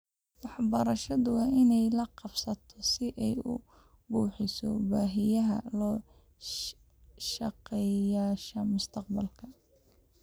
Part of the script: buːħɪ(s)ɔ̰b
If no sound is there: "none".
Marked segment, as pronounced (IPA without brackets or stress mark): s